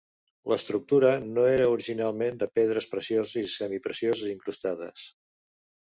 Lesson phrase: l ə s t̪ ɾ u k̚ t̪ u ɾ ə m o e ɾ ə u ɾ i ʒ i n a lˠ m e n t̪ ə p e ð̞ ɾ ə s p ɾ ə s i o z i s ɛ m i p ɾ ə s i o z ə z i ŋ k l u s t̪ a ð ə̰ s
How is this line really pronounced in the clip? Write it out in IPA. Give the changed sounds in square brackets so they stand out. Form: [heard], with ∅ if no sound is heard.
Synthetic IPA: l ə s t̪ ɾ u k̚ t̪ u ɾ ə [n] o e ɾ ə u ɾ i ʒ i n a lˠ m e n [d̪] ə p e ð̞ ɾ ə s p ɾ ə s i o z i s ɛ m i p ɾ ə s i o z ə z i ŋ k [ɾ] u s t̪ a ð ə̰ s